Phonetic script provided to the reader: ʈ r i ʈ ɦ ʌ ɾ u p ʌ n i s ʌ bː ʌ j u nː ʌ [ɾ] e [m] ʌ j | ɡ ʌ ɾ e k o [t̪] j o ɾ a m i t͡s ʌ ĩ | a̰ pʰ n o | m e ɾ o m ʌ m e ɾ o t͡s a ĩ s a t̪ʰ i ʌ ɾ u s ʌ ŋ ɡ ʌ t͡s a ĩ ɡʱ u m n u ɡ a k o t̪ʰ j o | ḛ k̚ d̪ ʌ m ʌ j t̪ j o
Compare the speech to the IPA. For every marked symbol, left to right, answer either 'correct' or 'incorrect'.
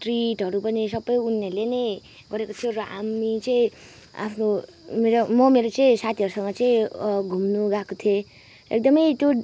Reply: incorrect, incorrect, incorrect

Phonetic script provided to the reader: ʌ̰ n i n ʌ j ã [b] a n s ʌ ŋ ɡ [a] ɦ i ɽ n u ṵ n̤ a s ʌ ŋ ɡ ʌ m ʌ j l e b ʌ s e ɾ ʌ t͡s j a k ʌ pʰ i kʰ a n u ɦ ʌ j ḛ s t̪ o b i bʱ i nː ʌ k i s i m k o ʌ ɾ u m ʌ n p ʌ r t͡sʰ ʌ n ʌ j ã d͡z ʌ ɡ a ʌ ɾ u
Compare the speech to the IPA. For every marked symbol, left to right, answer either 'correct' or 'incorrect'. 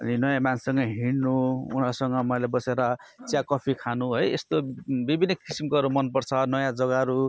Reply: incorrect, incorrect

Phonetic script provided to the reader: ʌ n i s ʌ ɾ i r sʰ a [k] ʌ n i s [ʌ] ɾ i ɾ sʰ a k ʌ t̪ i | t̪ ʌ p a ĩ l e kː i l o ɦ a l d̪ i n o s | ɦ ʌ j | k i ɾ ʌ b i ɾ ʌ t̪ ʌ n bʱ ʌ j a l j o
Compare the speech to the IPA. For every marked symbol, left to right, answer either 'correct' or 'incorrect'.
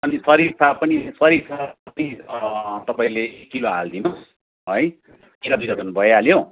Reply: incorrect, correct

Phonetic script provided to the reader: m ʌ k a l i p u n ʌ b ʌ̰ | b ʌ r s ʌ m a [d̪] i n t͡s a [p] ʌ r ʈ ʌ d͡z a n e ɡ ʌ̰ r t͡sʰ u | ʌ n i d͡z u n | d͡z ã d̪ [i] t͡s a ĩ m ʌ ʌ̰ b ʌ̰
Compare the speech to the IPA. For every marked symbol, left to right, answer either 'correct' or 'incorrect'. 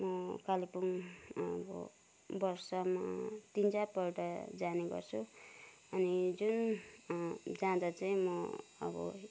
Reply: incorrect, correct, incorrect

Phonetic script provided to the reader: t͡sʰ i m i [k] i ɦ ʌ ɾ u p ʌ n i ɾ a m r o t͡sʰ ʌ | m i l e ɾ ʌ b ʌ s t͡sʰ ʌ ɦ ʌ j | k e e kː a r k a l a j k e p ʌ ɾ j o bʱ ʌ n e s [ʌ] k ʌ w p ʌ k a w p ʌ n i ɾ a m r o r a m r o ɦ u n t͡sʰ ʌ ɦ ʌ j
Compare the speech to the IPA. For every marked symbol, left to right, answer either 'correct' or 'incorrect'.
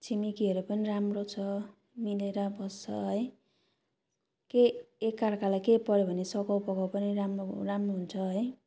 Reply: correct, correct

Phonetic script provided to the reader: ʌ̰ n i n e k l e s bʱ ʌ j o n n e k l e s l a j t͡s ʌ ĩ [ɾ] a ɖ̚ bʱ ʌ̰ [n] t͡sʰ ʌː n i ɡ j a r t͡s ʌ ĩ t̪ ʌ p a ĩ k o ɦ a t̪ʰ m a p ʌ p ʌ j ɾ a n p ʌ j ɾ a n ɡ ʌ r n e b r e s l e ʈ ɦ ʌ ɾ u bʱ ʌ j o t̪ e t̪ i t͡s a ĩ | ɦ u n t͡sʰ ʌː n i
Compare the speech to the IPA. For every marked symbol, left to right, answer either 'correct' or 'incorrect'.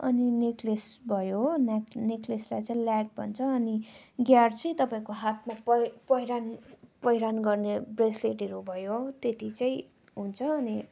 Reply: incorrect, correct

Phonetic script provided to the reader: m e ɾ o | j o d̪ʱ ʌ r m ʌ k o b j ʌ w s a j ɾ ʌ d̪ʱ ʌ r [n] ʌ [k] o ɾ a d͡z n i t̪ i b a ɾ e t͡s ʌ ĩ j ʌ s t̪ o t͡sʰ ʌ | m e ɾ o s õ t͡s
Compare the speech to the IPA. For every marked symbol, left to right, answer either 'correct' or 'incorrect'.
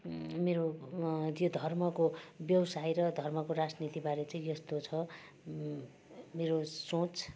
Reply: incorrect, correct

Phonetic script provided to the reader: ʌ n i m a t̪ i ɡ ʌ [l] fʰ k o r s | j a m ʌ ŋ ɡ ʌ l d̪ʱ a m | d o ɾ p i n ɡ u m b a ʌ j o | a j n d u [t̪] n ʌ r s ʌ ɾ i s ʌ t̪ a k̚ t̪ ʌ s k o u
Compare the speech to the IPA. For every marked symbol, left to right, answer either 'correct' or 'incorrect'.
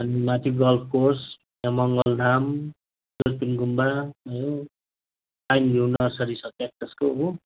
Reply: correct, incorrect

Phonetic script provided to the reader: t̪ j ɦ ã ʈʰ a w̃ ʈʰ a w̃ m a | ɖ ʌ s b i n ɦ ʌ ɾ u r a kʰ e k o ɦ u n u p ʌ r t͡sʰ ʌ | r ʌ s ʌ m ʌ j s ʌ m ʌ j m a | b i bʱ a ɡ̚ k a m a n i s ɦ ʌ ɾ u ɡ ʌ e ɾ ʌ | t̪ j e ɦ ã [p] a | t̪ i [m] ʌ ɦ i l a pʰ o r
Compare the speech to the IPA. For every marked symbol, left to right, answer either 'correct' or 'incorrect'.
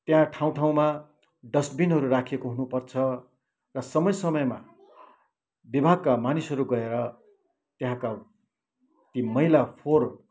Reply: incorrect, correct

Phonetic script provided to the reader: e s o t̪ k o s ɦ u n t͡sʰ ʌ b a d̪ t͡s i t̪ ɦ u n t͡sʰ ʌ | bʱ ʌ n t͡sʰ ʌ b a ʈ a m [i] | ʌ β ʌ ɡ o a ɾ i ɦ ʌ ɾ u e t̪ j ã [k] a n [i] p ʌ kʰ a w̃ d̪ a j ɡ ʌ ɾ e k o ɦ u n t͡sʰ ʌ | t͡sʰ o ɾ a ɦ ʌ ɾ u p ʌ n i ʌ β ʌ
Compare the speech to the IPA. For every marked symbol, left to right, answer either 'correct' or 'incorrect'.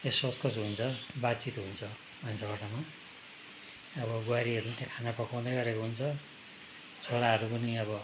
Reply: incorrect, incorrect, incorrect

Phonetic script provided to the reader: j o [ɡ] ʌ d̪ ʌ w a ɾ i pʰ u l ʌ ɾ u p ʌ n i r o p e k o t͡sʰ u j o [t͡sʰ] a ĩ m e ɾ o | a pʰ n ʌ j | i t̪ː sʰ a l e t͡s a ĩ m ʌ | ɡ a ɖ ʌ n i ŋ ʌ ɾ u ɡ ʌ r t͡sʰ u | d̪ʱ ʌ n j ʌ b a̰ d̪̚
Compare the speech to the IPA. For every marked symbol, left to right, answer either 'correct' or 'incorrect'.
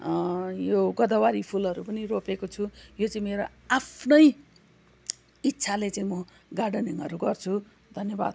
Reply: correct, incorrect

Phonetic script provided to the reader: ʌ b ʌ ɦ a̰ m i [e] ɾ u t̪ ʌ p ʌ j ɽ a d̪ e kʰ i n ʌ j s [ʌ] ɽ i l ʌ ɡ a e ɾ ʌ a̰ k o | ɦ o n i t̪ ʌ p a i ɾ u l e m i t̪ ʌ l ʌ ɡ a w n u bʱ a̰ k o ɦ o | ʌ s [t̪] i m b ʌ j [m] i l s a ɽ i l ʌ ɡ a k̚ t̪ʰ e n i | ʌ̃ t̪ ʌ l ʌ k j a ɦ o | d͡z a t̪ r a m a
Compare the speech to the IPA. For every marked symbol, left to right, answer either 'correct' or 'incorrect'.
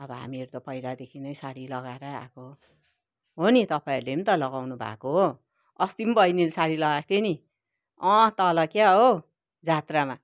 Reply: correct, incorrect, correct, incorrect

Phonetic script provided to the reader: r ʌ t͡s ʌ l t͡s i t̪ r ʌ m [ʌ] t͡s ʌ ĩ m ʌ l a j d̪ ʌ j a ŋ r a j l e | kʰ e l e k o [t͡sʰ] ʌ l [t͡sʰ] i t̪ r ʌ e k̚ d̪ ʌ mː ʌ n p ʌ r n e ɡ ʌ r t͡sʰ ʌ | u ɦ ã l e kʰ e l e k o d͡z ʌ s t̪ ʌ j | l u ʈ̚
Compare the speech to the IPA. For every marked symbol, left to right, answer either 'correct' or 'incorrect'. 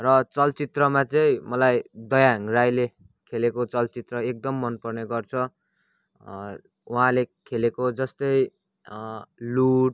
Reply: incorrect, incorrect, incorrect

